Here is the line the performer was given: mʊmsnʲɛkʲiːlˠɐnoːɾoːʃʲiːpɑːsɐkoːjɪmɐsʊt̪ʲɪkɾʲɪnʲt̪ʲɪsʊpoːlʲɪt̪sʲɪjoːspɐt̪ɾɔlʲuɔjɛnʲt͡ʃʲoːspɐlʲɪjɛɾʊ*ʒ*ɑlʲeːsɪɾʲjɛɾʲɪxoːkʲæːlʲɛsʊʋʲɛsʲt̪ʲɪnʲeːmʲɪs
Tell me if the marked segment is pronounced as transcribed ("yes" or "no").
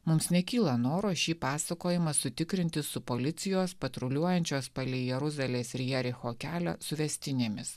no